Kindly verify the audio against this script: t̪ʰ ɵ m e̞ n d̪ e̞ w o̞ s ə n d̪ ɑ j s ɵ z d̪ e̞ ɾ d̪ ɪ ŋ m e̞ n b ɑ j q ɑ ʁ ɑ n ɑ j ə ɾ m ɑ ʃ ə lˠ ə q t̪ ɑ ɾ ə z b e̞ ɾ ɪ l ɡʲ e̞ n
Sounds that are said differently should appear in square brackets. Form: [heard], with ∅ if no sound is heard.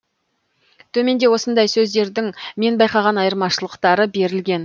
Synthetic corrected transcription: t̪ʰ ɵ m e̞ n d̪ e̞ w o̞ s ə n d̪ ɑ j s ɵ z d̪ e̞ ɾ d̪ ɪ ŋ m e̞ n b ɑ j q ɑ ʁ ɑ n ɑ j ə ɾ m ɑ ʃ ə lˠ ə q t̪ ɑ ɾ ə [∅] b e̞ ɾ ɪ l ɡʲ e̞ n